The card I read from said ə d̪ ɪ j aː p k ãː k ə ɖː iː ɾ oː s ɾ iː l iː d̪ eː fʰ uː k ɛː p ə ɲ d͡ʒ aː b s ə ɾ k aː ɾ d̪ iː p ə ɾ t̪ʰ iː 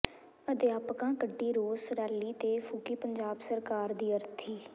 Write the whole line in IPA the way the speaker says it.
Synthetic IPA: ə d̪ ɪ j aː p k ãː k ə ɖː iː ɾ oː s ɾ ɛː l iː t̪ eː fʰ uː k iː p ə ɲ d͡ʒ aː b s ə ɾ k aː ɾ d̪ iː ə ɾ t̪ʰ iː